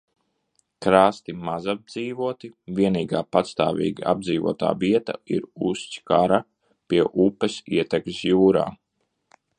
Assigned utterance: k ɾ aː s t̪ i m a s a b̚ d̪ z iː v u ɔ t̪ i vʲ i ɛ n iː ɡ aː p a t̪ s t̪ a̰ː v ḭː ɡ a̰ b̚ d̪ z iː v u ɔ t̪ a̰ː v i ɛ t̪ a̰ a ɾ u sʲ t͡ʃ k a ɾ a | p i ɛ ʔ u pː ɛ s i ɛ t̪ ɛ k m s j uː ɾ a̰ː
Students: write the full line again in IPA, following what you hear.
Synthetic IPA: k ɾ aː s t̪ i m a z a b̚ d̪ z iː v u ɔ t̪ i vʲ i ɛ n iː ɡ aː p a t̪ s t̪ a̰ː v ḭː ɡ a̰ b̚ d̪ z iː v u ɔ t̪ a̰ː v i ɛ t̪ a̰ i ɾ u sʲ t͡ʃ k a ɾ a | p i ɛ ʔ u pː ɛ s i ɛ t̪ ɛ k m s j uː ɾ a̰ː